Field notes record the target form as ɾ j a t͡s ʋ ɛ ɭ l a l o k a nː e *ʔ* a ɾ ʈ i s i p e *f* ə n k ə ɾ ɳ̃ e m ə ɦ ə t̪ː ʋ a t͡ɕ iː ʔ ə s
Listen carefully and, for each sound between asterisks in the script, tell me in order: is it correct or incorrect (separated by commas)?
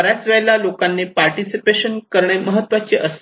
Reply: incorrect, incorrect